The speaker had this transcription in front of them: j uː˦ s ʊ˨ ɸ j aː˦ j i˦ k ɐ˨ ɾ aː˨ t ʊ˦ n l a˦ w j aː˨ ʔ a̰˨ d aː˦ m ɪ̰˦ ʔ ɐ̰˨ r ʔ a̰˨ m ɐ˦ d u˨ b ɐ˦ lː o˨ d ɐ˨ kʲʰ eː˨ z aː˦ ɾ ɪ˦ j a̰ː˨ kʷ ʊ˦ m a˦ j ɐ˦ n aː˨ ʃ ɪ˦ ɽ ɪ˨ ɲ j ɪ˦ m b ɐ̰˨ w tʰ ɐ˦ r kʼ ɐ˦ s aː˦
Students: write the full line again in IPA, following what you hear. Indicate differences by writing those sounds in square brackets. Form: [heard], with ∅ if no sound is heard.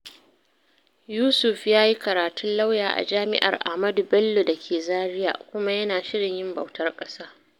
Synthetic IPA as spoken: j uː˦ s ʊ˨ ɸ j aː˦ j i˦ k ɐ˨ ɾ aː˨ t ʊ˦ n l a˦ w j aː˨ ʔ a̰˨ [d͡ʒ] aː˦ m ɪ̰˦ ʔ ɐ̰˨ r ʔ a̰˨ m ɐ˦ d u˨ b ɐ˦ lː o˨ d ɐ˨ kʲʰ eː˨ z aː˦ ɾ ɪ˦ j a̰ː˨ kʷ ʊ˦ m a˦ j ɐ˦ n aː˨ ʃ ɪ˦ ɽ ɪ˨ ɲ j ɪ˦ m b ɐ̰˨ w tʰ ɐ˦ r kʼ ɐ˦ s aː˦